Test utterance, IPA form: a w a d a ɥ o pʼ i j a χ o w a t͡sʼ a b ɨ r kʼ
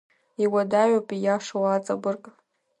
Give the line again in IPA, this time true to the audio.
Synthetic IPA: i w a d a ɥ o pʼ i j a ʂ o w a t͡sʼ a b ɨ r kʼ